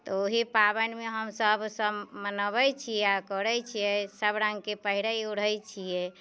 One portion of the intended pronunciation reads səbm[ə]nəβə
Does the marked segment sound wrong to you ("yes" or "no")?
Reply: no